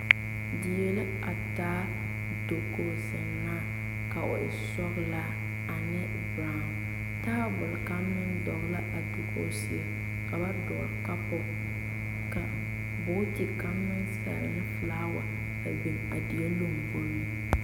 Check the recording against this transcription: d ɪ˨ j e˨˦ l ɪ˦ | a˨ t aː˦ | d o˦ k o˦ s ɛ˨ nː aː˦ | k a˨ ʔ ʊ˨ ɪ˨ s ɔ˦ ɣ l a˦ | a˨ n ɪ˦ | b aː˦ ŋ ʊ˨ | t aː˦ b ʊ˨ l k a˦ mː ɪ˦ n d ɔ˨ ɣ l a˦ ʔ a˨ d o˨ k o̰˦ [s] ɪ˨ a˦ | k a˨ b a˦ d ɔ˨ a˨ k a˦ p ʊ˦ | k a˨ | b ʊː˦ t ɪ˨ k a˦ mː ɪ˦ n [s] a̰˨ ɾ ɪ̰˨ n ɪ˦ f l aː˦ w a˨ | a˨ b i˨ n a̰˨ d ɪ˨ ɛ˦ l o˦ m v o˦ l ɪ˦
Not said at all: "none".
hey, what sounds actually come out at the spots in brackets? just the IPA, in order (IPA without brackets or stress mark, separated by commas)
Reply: s, s